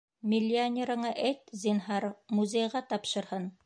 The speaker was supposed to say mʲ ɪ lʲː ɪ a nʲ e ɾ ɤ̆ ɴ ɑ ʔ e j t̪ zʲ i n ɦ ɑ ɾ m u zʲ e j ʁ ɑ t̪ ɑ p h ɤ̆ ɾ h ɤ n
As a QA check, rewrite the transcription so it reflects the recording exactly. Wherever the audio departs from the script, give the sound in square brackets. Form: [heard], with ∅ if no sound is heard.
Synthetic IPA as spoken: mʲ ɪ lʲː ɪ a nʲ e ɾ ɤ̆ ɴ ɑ ʔ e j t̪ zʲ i n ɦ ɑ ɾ m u zʲ e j ʁ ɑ t̪ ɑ p [ʃ] ɤ̆ ɾ h ɤ n

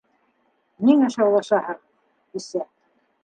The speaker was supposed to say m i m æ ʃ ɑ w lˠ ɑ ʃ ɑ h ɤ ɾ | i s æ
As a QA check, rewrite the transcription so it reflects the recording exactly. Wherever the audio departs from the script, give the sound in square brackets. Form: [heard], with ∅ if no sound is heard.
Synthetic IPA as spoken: [n] i [ŋ] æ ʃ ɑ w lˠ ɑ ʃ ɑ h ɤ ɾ | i s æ

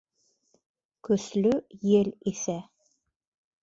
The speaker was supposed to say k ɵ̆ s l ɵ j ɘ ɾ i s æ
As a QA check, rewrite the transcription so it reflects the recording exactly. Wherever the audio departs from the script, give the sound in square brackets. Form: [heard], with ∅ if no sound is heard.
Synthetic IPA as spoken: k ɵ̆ s l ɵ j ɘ [l] i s æ

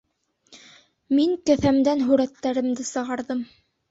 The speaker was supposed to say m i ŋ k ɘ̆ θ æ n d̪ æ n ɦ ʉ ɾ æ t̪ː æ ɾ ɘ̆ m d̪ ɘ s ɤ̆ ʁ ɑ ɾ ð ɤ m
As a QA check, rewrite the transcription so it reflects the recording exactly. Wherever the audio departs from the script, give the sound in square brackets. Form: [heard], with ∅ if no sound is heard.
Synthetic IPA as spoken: m i ŋ k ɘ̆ θ æ [m] d̪ æ n ɦ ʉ ɾ æ t̪ː æ ɾ ɘ̆ m d̪ ɘ s ɤ̆ ʁ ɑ ɾ ð ɤ m

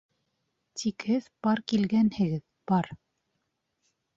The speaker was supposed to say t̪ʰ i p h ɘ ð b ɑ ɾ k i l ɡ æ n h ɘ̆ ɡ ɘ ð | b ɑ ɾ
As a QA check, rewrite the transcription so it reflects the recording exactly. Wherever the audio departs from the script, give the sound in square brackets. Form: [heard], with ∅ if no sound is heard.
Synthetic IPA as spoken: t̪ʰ i [k] h ɘ ð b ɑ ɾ k i l ɡ æ n h ɘ̆ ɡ ɘ ð | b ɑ ɾ

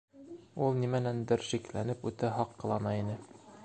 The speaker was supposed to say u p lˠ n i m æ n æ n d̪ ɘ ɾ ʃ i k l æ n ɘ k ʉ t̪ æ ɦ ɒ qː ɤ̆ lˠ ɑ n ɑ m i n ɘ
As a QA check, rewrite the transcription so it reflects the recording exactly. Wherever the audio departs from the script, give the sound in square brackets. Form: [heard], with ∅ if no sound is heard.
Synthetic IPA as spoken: u [∅] lˠ n i m æ n æ n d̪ ɘ ɾ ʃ i k l æ n ɘ [p] ʉ t̪ æ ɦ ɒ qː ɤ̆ lˠ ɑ n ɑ [∅] i n ɘ

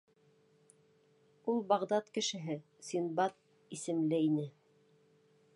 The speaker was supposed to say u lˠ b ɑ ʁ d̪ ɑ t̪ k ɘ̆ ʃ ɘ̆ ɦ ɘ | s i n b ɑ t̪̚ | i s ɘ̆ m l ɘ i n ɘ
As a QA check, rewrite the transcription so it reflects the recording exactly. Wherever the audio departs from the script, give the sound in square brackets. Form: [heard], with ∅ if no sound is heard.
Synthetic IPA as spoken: u lˠ b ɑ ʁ d̪ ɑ t̪ k ɘ̆ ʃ ɘ̆ ɦ ɘ | s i n b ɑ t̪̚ | i s ɘ̆ m l ɘ i n ɘ

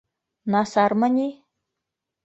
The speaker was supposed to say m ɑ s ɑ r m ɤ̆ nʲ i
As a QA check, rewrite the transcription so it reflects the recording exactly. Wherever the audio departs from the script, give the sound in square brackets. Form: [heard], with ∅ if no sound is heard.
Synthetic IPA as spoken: [n] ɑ s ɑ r m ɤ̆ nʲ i

